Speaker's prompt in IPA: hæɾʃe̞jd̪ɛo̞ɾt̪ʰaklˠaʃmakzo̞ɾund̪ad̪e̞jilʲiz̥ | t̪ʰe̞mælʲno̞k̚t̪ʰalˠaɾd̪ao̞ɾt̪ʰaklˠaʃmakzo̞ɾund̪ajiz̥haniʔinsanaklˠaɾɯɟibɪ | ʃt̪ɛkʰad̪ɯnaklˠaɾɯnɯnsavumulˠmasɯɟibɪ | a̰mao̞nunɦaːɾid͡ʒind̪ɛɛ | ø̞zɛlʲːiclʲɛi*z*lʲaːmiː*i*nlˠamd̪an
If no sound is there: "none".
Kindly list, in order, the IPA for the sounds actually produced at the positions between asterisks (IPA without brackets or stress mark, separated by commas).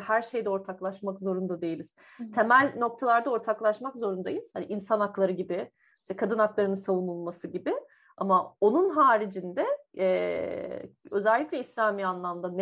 s, a